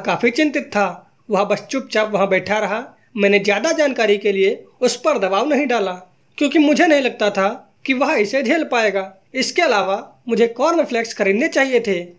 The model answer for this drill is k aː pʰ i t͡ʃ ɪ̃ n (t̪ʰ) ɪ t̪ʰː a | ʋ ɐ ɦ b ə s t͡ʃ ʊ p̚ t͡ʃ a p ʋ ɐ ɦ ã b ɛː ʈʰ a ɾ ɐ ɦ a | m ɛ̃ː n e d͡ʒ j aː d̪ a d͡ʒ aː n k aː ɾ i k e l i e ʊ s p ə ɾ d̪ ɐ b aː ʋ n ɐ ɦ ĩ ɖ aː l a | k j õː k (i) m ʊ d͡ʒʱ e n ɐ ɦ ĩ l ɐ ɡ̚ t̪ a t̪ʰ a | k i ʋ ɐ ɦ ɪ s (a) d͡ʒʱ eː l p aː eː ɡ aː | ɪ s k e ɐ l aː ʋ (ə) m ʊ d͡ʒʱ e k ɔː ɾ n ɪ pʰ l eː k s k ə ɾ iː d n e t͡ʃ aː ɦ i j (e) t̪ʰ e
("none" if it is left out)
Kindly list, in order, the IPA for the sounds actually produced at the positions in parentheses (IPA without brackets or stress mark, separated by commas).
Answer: t̪, i, e, a, e